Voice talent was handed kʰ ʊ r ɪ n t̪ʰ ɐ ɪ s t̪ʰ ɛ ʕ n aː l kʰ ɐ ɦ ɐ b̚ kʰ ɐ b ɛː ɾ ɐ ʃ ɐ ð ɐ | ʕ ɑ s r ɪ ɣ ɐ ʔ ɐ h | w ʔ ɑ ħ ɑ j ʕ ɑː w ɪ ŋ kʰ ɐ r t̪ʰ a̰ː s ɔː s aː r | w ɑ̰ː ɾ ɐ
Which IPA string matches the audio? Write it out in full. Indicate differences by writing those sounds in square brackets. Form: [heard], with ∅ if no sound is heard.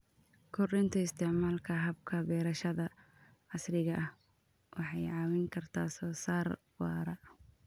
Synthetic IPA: kʰ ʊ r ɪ n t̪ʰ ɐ ɪ s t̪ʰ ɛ ʕ [m] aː l kʰ ɐ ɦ ɐ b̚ kʰ ɐ b ɛː ɾ ɐ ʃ ɐ ð ɐ | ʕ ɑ s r ɪ ɣ ɐ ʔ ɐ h | w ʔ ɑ ħ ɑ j ʕ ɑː w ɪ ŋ kʰ ɐ r t̪ʰ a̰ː s ɔː s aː r | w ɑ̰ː ɾ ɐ